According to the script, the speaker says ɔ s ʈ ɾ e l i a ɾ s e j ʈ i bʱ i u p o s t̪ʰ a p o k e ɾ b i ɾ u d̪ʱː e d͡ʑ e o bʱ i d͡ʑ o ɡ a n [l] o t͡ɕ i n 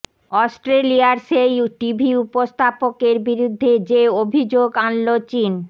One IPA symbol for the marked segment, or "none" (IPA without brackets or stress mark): l